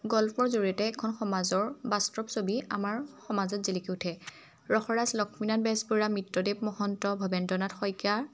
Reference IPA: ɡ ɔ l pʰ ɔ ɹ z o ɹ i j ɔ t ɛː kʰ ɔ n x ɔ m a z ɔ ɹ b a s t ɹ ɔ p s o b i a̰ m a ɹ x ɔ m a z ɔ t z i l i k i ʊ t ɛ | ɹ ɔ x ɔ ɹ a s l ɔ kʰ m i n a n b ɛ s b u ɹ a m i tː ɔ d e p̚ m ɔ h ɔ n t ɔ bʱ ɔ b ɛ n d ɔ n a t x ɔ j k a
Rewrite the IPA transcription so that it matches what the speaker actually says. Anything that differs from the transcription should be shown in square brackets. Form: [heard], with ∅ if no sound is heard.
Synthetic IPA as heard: ɡ ɔ l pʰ ɔ ɹ z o ɹ i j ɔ t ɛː kʰ ɔ n x ɔ m a z ɔ ɹ b a s t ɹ ɔ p s o b i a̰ m a ɹ x ɔ m a z ɔ t z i l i k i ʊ [tʰ] ɛ | ɹ ɔ x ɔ ɹ a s l ɔ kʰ m i n a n b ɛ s b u ɹ a m i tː ɔ d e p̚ m ɔ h ɔ n t ɔ bʱ ɔ b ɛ n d ɔ n a t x ɔ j k a